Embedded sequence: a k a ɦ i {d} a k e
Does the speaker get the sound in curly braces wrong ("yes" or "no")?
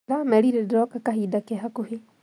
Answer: no